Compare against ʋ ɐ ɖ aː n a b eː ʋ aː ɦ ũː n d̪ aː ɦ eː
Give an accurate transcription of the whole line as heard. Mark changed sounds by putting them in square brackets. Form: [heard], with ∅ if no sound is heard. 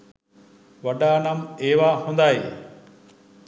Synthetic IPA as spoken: ʋ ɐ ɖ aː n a [m] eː ʋ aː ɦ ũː n d̪ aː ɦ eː